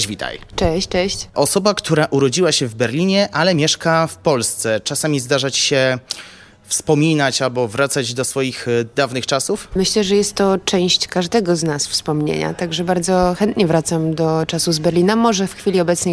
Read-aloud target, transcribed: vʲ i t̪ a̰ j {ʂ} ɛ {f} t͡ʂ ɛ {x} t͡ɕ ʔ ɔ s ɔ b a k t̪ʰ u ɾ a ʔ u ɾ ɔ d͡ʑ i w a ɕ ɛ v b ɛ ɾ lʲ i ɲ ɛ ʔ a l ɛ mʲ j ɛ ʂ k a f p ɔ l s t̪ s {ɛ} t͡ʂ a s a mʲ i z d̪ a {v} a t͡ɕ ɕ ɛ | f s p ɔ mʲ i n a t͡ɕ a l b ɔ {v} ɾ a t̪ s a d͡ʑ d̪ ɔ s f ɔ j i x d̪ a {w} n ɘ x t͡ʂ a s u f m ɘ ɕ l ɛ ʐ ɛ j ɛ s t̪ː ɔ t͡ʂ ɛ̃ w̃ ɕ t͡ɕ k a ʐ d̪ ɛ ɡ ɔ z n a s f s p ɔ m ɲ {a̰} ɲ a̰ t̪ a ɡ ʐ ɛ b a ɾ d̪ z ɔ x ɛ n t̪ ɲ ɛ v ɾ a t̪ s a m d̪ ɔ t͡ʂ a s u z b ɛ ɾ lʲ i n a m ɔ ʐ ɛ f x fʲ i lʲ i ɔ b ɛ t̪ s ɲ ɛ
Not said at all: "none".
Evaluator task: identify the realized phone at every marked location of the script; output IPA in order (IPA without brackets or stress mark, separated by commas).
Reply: t͡ʂ, ɕ, ɕ, ɛ, ʐ, v, v, ḛ